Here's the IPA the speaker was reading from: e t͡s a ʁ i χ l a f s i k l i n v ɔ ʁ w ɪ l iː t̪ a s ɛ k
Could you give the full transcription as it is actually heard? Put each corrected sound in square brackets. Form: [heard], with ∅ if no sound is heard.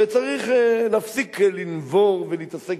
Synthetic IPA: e t͡s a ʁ i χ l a f s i k l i n v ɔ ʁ [v] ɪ l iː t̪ a s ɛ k